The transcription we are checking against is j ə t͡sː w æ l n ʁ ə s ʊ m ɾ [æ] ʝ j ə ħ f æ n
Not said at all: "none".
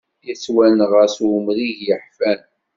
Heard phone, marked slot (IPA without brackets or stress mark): i